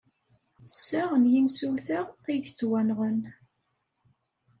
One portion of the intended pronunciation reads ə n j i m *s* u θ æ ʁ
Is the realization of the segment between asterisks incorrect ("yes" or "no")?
no